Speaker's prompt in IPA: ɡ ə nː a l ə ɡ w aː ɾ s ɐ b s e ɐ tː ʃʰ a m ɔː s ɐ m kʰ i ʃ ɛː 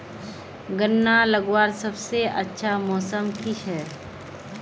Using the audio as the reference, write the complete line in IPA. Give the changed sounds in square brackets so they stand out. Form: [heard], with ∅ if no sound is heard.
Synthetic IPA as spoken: ɡ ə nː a l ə ɡ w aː ɾ s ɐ b s e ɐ tː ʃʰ a m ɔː s [ə] m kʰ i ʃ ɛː